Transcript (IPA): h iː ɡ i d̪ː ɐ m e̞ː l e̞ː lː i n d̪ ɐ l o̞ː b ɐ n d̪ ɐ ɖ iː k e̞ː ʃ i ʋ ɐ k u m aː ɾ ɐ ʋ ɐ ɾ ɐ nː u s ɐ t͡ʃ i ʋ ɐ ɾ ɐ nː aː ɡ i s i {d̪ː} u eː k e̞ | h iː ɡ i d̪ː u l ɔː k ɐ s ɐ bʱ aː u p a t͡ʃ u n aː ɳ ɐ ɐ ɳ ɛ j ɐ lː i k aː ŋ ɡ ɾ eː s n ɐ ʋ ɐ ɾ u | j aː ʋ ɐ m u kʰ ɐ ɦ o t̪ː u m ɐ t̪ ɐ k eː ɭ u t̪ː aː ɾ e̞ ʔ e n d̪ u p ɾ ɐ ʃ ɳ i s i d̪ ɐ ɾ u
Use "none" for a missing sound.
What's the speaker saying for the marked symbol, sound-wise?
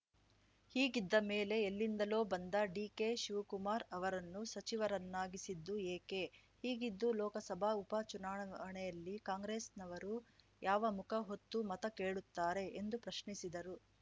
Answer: d̪ː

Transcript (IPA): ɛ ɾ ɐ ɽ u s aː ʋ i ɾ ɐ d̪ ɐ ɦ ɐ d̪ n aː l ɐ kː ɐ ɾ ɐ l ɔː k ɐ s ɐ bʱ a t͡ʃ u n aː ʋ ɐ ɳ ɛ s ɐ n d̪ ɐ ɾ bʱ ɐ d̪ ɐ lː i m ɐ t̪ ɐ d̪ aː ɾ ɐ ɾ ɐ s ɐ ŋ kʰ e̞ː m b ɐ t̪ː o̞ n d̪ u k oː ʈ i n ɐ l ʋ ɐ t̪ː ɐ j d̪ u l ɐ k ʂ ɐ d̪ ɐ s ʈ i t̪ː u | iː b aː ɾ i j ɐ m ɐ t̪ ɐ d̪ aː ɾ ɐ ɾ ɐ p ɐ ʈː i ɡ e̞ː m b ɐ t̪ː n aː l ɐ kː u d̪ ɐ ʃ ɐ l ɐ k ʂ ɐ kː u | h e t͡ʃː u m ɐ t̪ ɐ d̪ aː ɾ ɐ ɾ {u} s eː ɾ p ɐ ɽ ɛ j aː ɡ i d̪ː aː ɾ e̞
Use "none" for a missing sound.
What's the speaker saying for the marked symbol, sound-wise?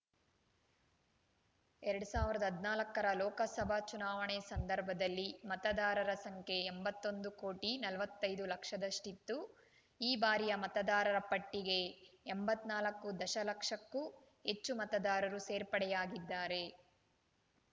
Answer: u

